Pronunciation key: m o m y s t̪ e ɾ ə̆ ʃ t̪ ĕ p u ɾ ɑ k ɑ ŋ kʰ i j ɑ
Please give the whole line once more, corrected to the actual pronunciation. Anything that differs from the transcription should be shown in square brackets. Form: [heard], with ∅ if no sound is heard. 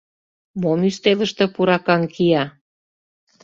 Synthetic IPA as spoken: m o m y s t̪ e [l] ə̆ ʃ t̪ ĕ p u ɾ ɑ k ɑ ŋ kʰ i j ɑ